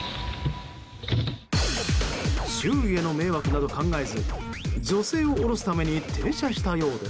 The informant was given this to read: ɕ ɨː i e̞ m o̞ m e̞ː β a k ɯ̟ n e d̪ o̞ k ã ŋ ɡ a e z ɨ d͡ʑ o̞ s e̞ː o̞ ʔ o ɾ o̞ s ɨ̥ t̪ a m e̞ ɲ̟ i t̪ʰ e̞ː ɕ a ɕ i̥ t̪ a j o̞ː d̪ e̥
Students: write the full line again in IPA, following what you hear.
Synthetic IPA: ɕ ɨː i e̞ n o̞ m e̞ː β a k ɯ̟ n a d̪ o̞ k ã ŋ ɡ a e z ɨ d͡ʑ o̞ s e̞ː o̞ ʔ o ɾ o̞ s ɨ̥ t̪ a m e̞ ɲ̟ i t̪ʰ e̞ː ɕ a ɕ i̥ t̪ a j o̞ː d̪ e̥